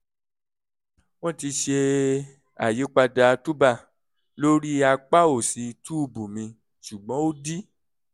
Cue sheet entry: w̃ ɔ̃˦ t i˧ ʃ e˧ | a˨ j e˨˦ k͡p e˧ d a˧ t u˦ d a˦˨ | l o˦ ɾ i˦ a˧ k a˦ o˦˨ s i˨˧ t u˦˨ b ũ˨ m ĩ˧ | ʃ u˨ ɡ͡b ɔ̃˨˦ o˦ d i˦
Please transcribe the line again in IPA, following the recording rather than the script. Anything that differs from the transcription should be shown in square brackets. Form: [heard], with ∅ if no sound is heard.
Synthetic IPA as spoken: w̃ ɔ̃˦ t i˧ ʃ e˧ | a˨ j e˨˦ k͡p [a˧] d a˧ t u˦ [b] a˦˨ | l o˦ ɾ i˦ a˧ [k͡p] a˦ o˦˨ s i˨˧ t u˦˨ b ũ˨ m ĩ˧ | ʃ u˨ ɡ͡b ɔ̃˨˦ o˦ d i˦